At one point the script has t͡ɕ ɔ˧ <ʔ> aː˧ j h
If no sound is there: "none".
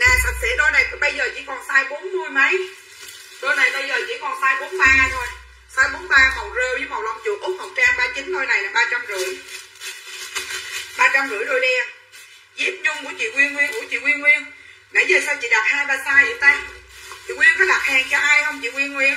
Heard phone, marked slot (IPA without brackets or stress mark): ʔ